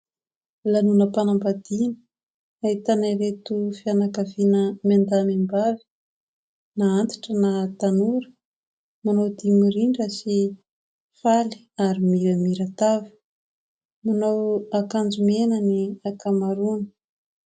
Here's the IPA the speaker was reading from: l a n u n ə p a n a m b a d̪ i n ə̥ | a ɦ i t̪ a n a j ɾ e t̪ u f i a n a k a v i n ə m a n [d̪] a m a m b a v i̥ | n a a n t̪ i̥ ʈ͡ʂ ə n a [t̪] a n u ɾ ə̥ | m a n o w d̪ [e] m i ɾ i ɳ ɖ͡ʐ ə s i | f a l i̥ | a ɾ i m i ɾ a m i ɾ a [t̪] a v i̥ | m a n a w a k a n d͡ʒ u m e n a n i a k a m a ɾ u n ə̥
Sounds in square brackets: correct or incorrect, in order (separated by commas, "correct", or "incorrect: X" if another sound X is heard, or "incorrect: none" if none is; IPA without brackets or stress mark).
correct, correct, incorrect: i, correct